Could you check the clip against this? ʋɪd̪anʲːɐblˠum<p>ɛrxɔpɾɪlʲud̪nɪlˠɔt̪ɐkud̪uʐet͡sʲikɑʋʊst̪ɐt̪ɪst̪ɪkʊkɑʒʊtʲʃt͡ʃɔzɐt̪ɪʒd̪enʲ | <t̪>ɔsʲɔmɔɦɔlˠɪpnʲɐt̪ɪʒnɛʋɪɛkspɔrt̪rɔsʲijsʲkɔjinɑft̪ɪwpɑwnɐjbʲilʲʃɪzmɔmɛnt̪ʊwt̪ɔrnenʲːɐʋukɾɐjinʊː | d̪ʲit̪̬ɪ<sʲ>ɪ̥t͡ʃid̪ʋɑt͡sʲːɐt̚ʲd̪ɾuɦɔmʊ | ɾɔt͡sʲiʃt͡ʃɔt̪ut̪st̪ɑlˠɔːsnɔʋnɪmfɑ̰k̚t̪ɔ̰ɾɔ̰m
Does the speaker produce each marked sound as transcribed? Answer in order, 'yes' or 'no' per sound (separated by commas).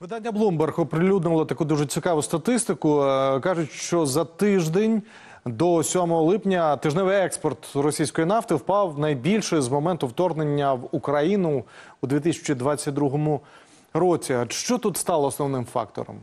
no, no, yes